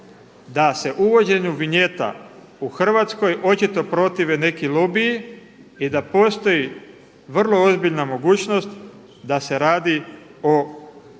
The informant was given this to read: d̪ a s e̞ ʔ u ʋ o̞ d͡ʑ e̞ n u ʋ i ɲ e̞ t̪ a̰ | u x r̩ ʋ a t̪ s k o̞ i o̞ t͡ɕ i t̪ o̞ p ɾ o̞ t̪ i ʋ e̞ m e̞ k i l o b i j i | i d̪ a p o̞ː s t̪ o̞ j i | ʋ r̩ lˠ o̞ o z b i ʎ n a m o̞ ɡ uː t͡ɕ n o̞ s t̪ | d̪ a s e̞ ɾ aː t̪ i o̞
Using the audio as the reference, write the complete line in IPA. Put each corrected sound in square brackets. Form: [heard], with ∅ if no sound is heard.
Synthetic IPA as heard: d̪ a s e̞ ʔ u ʋ o̞ d͡ʑ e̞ [ɲ] u ʋ i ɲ e̞ t̪ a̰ | u x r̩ ʋ a t̪ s k o̞ [j] o̞ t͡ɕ i t̪ o̞ p ɾ o̞ t̪ i ʋ e̞ [n] e̞ k i l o b i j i | i d̪ a p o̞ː s t̪ o̞ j i | ʋ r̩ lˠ o̞ o z b i ʎ n a m o̞ ɡ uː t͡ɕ n o̞ s t̪ | d̪ a s e̞ ɾ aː [d̪] i o̞